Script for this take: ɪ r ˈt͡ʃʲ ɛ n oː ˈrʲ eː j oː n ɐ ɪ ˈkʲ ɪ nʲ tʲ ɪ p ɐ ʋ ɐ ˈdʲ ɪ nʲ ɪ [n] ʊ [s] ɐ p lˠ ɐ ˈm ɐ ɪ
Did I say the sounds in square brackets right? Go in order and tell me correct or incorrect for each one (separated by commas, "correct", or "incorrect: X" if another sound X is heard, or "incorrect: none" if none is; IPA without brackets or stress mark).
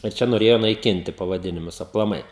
incorrect: m, correct